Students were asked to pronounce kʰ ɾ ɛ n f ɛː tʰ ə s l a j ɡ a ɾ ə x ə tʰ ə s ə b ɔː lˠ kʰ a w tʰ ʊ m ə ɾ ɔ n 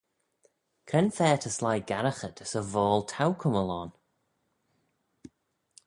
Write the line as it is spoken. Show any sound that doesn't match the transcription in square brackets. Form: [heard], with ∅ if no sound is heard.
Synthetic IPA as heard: kʰ ɾ ɛ n f ɛː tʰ ə s l a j ɡ a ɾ ə x ə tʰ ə s ə [v] ɔː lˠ [tʰ] a w [kʰ] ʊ m ə [l] ɔ n